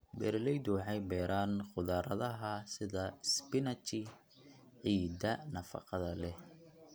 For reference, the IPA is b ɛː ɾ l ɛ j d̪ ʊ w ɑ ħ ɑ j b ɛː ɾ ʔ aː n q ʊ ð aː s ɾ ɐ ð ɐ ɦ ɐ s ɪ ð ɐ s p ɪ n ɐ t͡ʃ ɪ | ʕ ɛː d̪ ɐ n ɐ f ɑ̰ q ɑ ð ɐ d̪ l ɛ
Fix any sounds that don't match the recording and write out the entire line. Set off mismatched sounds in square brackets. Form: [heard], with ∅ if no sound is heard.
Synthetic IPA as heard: b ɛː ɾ l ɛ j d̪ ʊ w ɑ ħ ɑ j b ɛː ɾ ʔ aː n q ʊ ð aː [∅] ɾ ɐ ð ɐ ɦ ɐ s ɪ ð ɐ s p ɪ n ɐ t͡ʃ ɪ | ʕ [iː] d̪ ɐ n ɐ f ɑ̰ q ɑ ð ɐ [∅] l ɛ